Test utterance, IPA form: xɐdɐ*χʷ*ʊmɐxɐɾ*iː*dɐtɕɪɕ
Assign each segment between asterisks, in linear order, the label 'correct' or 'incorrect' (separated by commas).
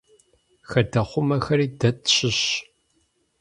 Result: correct, correct